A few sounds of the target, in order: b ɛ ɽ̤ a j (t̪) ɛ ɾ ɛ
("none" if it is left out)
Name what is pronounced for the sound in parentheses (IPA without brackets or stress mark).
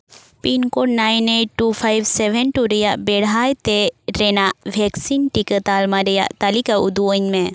t̪